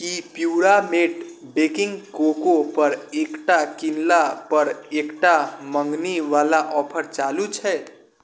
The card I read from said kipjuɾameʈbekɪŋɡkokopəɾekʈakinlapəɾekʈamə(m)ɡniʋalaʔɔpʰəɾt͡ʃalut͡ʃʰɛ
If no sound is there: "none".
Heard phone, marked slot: ŋ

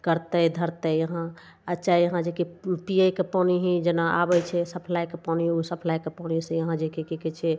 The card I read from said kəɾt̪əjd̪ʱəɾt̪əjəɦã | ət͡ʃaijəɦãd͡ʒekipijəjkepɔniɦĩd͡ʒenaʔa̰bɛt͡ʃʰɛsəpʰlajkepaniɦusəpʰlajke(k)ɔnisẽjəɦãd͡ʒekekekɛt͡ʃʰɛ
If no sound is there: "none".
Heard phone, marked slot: p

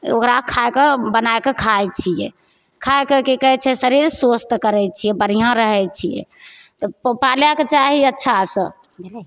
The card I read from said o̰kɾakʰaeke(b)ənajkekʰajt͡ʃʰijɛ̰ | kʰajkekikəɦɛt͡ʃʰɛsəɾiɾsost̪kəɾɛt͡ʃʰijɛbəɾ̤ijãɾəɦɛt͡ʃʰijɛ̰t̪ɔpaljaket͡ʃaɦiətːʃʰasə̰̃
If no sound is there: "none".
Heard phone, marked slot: b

